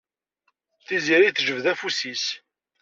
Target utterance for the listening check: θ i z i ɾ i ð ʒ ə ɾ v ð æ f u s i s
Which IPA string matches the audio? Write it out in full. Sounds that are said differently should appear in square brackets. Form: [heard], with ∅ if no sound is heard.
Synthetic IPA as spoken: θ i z i ɾ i [θ] ʒ ə [∅] v ð æ f u s i s